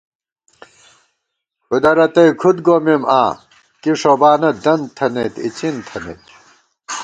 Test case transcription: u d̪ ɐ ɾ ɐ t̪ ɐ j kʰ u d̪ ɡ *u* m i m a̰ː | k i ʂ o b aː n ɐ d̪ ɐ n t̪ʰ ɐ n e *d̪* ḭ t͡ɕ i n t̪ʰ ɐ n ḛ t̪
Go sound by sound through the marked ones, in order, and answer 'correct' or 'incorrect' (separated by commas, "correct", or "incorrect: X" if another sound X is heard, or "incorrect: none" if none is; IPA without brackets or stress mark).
incorrect: o, incorrect: t̪